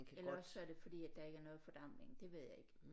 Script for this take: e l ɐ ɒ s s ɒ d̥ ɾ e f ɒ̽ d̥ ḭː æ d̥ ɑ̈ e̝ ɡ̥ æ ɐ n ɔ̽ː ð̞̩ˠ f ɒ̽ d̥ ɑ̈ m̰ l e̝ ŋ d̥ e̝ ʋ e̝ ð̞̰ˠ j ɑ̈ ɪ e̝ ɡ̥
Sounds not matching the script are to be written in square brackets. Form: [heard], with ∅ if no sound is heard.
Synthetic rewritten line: e l ɐ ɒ s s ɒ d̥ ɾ e f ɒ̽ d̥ ḭː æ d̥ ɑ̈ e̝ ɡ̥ æ ɐ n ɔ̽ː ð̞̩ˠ f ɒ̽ d̥ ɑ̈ m̰ l e̝ ŋ d̥ e̝ ʋ e̝ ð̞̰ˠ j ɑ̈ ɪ e̝ ɡ̥